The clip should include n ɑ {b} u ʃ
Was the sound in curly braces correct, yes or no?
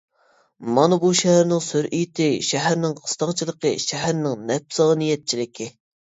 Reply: yes